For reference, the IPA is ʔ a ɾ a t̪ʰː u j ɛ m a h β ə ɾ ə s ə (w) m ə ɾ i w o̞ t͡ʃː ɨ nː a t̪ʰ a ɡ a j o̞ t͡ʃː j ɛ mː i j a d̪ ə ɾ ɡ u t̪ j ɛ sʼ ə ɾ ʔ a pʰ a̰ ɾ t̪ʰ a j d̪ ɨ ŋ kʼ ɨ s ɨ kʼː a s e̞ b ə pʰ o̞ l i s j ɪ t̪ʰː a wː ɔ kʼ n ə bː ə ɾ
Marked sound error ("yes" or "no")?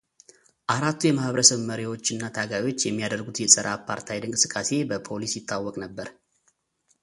yes